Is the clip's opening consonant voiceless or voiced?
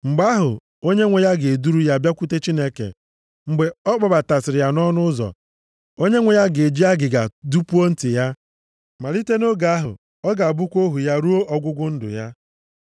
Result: voiced